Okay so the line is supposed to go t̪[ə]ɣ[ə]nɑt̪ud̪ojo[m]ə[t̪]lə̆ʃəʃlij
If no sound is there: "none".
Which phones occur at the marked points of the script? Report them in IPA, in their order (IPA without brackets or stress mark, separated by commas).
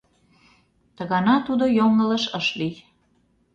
ə, ɑ, ŋ, none